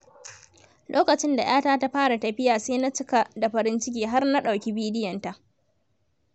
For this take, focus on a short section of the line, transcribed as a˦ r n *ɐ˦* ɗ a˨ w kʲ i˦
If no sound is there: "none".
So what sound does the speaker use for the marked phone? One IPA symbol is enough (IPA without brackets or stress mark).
a˦